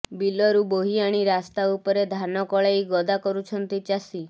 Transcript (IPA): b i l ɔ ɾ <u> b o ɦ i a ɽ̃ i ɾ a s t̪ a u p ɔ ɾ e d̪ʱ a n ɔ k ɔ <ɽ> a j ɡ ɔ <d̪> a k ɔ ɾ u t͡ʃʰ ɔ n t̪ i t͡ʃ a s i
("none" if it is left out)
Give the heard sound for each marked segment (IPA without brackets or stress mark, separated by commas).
u, ɭ, d̪